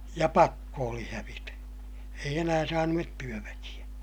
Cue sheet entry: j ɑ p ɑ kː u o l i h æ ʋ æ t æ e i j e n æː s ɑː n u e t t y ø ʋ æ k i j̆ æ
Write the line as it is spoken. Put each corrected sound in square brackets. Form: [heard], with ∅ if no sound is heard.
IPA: j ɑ p ɑ kː [o] o l i h æ ʋ [i] t æ e i j e n æː s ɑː n u e t t y ø ʋ æ k i j̆ æ